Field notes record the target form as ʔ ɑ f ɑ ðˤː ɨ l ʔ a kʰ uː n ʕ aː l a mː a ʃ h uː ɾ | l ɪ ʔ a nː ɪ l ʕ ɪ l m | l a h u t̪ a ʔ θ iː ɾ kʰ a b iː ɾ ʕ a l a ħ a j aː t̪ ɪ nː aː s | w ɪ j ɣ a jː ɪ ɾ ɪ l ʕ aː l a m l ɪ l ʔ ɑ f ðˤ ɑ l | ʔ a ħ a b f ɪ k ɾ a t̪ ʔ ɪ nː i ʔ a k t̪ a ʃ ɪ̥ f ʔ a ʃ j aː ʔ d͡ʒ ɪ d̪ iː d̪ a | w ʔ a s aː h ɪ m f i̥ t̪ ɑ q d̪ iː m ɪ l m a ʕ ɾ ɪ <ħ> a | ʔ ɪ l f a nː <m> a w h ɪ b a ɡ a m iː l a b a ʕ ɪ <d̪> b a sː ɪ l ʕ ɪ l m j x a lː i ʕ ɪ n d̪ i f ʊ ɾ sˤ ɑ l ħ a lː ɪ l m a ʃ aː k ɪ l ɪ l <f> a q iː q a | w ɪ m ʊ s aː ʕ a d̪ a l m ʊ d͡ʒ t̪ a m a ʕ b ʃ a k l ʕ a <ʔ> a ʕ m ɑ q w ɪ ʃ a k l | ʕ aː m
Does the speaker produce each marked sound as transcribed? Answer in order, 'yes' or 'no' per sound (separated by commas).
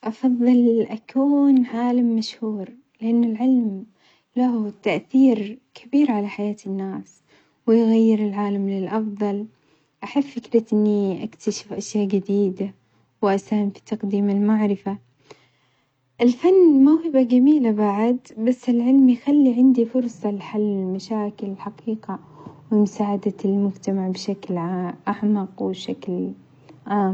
no, yes, yes, no, yes